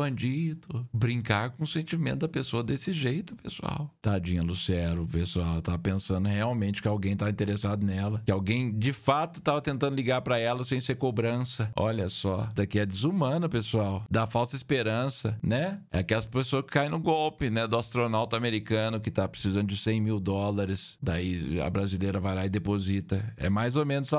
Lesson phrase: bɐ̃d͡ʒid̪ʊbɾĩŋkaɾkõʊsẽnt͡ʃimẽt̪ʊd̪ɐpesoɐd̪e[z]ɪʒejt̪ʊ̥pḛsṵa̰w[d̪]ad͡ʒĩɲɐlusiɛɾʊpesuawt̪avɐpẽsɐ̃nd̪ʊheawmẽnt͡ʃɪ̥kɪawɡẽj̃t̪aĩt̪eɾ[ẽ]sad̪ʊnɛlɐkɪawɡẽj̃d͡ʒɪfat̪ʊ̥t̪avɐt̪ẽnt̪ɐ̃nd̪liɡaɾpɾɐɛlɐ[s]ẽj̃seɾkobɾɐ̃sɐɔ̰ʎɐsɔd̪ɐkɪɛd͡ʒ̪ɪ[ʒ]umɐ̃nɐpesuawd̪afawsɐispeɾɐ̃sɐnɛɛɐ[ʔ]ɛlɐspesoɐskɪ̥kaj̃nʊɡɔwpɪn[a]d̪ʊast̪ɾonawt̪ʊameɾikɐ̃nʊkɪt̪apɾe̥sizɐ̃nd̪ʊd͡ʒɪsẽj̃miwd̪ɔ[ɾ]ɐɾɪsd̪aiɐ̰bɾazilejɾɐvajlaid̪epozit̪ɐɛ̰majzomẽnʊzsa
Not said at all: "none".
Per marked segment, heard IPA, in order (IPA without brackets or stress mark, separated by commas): s, t̪, e, s, z, k, ɛ, l